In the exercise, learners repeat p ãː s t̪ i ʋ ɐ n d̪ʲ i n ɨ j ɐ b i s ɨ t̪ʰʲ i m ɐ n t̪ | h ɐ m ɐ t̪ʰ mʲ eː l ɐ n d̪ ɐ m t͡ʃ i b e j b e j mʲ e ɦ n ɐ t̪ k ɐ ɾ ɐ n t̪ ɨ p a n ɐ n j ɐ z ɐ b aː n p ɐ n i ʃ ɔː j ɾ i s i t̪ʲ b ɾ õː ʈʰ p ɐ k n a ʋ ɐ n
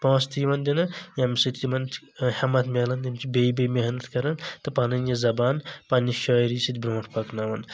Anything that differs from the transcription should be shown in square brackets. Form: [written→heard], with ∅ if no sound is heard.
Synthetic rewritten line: p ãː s t̪ i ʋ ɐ n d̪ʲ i n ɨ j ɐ [b→m] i s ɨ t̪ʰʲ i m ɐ n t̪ | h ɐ m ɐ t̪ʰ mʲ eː l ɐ n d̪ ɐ m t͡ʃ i b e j b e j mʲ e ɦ n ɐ t̪ k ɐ ɾ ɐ n t̪ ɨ p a n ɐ n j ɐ z ɐ b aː n p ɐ n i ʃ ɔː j ɾ i s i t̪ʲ b ɾ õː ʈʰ p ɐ k n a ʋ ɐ n